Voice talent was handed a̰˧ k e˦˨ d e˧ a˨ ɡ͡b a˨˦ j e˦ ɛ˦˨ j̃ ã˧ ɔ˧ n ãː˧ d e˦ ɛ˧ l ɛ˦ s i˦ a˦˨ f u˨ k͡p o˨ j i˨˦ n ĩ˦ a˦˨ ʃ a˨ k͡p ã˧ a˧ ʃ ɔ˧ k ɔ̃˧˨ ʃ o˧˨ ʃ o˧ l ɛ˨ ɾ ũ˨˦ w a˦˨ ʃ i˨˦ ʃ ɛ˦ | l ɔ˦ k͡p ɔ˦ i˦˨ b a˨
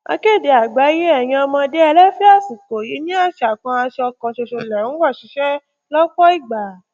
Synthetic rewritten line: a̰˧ k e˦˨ d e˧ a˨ ɡ͡b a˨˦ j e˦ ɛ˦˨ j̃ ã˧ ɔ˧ m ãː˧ d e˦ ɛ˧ l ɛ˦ f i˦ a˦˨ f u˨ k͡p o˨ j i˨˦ n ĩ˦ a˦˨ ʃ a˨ k͡p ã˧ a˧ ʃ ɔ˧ k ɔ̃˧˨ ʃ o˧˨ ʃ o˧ l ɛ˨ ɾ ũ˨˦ w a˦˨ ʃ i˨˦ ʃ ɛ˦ | l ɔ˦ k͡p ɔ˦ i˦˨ ɡ͡b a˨